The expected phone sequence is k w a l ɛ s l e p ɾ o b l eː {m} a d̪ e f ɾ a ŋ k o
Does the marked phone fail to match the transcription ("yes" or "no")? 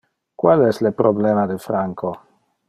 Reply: no